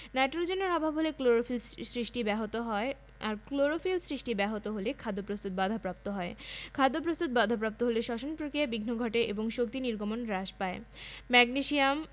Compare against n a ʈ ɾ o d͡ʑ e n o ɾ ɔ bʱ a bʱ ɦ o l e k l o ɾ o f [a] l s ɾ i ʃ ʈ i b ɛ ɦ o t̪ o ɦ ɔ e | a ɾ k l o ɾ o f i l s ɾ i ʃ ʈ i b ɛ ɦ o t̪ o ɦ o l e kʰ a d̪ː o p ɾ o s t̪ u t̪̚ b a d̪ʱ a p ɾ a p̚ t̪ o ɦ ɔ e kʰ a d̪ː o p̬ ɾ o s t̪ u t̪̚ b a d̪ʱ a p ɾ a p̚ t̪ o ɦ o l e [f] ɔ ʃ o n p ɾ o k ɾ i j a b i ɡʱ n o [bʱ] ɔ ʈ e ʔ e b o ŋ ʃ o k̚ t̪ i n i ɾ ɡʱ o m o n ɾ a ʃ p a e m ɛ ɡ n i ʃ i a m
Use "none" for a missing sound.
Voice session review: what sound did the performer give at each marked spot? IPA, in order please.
i, ʃ, ɡʱ

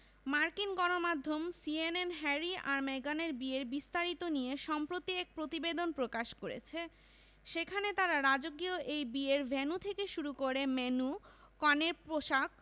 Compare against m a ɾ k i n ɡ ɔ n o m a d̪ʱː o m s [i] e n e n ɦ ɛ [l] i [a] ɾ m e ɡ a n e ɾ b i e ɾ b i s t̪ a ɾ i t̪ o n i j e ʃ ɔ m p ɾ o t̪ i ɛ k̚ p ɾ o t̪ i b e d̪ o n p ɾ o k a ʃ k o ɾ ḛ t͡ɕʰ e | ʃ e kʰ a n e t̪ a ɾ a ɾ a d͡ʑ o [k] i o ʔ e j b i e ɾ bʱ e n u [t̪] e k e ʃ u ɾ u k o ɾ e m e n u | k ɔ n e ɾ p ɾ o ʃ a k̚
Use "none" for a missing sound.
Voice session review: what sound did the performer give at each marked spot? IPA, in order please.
i, ɾ, a, ɡ, t̪ʰ

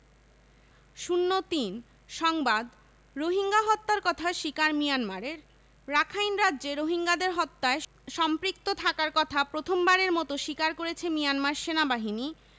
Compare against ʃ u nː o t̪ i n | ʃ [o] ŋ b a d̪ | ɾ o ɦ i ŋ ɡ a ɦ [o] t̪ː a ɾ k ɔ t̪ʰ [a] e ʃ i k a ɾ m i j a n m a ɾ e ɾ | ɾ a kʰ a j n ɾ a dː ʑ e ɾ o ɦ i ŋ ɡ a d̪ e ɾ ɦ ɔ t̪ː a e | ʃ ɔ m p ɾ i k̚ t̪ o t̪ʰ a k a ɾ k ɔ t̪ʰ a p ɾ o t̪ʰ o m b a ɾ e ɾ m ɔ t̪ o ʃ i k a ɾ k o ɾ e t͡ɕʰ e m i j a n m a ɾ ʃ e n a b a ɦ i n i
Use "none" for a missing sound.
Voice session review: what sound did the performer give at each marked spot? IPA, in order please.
ɔ, ɔ, a

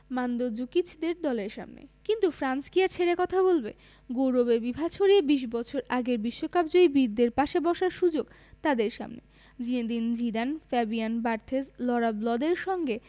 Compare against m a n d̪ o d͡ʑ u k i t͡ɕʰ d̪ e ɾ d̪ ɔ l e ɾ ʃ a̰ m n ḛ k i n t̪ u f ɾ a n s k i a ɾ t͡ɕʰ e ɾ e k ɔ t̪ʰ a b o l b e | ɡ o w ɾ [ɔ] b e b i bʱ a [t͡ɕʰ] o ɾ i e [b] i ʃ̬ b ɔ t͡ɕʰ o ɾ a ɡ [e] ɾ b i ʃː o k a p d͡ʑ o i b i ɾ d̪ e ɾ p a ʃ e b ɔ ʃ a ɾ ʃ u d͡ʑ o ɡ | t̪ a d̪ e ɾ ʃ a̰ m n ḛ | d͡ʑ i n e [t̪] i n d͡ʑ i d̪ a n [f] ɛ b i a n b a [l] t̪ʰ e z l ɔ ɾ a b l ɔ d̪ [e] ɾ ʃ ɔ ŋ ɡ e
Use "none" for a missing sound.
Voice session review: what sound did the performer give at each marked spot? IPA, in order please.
o, t͡ɕʰ, b, e, d̪, f, ɾ, e

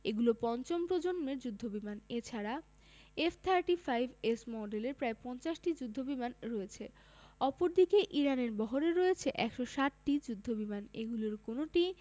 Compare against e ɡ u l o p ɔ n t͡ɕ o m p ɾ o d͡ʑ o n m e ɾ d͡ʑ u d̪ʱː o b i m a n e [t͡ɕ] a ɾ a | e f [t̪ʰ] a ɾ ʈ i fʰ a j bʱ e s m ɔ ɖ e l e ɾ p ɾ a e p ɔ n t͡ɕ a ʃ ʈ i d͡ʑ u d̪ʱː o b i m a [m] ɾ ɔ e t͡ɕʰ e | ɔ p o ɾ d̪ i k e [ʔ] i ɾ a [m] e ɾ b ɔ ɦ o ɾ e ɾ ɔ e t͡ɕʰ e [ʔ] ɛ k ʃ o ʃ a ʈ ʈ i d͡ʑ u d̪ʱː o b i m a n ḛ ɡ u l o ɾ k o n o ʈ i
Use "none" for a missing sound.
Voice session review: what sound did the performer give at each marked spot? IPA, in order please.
t͡ɕʰ, t̪ʰ, n, ʔ, n, ʔ

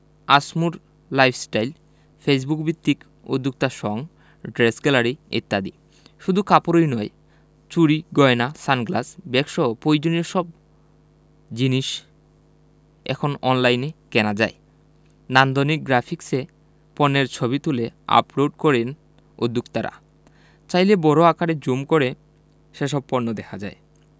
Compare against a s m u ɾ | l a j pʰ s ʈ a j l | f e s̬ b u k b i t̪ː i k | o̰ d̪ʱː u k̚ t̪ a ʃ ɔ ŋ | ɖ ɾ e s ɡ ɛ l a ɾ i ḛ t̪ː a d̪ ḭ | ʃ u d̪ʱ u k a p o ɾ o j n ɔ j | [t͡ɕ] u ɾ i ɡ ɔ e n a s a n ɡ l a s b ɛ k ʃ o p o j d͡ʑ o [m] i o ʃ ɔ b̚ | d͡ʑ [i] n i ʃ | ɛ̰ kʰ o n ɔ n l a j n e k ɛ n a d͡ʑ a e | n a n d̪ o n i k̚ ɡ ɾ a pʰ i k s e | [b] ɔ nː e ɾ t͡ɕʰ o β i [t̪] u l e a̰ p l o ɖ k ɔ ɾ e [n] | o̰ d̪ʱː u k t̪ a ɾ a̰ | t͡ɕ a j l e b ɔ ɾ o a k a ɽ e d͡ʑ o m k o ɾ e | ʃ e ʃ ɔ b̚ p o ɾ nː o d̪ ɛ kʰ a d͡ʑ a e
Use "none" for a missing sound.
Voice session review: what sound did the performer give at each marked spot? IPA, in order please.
t͡ɕ, n, i, p, t̪, n

